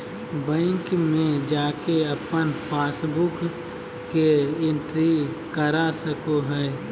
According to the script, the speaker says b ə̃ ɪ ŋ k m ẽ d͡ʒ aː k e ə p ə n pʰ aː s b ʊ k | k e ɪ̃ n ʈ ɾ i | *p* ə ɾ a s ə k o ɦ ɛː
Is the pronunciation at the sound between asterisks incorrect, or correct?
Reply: incorrect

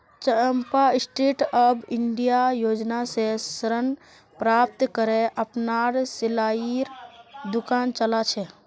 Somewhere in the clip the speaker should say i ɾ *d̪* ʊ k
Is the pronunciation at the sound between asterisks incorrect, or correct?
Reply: correct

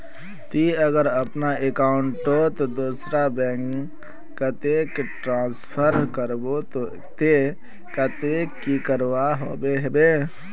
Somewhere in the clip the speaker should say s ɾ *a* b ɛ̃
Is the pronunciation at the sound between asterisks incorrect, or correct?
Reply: correct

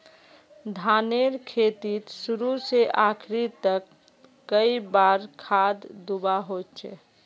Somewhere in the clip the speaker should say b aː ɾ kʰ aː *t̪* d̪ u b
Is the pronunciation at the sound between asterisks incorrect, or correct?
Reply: incorrect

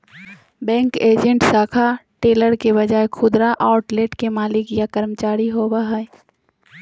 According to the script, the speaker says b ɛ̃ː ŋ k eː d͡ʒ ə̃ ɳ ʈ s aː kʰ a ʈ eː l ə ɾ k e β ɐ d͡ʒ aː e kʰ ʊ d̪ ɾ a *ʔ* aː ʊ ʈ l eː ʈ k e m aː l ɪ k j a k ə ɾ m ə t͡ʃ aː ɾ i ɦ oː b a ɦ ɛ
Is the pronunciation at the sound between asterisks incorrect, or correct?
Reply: correct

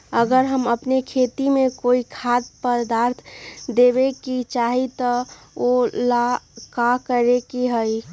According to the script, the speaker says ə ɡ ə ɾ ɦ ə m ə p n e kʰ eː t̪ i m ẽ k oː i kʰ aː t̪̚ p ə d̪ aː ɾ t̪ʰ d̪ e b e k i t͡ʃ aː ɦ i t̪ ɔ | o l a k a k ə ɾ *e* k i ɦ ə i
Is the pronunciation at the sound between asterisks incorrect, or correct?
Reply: correct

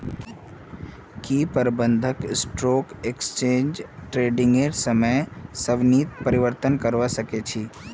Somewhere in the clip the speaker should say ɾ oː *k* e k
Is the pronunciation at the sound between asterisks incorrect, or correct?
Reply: correct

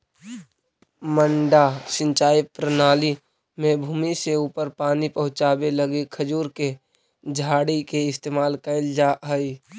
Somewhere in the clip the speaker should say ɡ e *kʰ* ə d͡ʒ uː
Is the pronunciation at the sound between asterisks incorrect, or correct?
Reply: correct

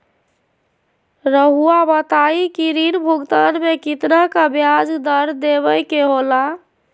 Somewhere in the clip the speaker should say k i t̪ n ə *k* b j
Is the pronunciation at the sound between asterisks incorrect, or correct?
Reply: correct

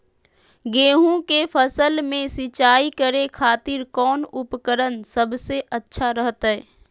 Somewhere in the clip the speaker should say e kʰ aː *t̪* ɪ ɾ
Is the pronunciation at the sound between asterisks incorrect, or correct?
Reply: correct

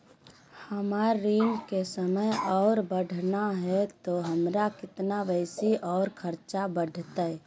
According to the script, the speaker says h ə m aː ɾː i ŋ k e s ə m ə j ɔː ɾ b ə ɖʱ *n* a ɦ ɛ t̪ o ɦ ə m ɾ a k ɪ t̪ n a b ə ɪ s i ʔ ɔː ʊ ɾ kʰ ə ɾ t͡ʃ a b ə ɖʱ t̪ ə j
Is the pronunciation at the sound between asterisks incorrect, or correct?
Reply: correct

